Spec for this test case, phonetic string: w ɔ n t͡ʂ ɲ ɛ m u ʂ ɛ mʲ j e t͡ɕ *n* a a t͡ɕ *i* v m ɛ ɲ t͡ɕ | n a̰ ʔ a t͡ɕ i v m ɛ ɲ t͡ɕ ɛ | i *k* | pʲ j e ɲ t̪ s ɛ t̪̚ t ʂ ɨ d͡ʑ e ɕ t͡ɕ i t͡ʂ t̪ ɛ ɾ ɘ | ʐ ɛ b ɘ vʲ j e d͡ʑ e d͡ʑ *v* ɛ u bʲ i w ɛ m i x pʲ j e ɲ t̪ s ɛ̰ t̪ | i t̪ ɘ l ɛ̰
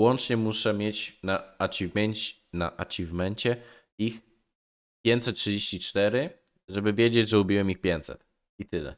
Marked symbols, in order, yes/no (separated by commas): yes, yes, no, no